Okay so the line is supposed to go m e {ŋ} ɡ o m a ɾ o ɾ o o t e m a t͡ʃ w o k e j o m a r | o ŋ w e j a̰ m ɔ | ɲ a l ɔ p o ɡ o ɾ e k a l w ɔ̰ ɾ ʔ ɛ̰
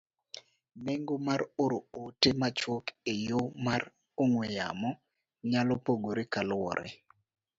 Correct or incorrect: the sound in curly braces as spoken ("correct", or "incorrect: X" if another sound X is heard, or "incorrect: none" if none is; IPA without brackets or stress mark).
correct